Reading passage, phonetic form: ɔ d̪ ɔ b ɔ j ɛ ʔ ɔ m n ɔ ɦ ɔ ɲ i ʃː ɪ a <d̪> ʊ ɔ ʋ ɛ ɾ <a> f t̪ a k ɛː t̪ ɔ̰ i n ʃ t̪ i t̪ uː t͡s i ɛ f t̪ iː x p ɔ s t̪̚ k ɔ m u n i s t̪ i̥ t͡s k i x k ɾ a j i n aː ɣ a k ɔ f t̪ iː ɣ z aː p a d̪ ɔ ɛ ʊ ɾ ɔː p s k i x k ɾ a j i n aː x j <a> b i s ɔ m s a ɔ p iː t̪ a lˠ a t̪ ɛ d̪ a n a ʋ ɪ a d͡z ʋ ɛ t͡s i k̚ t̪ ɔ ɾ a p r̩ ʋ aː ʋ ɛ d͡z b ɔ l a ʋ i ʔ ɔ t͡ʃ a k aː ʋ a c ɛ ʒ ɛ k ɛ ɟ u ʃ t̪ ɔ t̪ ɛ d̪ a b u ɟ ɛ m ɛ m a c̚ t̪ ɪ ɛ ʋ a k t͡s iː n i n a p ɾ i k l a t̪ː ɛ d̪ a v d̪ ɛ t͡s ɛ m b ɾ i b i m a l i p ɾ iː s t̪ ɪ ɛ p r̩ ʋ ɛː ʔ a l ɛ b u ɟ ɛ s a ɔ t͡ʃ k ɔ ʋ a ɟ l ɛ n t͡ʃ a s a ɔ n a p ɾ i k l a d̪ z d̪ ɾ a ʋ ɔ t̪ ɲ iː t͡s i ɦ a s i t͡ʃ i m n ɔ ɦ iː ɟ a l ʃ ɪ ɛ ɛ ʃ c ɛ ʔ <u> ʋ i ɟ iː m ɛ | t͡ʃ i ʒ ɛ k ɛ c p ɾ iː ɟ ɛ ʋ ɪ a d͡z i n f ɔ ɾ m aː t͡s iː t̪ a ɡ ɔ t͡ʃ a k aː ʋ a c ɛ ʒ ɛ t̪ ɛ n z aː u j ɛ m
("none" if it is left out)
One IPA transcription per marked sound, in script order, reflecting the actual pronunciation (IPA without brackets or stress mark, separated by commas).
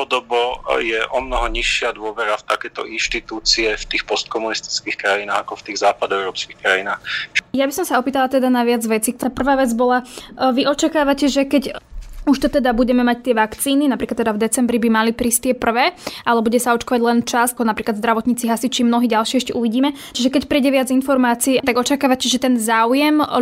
d̪, a, a, u